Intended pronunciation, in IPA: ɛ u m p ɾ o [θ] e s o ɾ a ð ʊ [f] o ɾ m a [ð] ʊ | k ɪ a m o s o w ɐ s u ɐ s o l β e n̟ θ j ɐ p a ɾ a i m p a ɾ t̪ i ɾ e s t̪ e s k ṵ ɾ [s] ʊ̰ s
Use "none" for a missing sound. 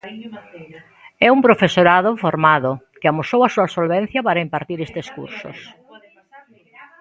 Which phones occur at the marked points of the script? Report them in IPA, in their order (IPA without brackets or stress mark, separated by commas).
f, f, ð, s